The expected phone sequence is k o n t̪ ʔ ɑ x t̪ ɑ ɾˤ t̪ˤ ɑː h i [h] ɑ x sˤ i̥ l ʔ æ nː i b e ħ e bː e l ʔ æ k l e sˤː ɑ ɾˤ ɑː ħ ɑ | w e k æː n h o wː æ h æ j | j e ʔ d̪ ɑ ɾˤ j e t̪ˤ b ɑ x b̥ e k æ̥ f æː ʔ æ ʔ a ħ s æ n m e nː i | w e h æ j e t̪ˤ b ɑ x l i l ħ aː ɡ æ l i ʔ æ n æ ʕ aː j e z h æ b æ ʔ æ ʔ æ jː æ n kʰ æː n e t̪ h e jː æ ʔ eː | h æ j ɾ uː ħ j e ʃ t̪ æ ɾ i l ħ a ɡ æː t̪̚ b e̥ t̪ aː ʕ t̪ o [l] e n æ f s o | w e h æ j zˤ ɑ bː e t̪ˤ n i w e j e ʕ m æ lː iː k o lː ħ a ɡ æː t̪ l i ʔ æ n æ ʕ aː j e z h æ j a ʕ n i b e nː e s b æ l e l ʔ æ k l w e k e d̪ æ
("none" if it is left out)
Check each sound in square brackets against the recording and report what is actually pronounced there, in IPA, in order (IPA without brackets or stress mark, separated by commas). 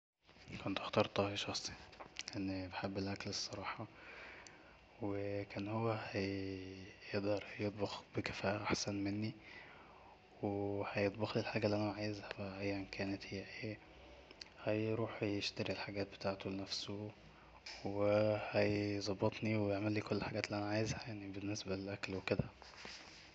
ʃ, l